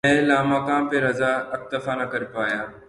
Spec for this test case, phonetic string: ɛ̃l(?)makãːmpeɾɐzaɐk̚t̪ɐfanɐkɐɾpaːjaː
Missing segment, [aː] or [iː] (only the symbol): aː